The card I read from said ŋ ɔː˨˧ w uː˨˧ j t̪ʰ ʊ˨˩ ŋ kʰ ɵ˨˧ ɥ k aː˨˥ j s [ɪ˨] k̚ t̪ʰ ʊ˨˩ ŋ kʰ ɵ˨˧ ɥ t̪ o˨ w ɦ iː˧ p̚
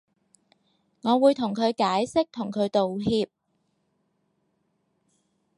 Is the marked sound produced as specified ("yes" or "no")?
no